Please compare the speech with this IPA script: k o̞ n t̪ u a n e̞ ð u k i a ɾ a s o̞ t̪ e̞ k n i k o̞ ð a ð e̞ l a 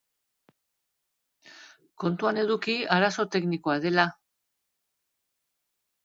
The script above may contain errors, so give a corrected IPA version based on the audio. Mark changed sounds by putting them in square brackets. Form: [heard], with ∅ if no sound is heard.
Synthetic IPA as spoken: k o̞ n t̪ u a n e̞ ð u k i a ɾ a s o̞ t̪ e̞ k n i k o̞ [∅] a ð e̞ l a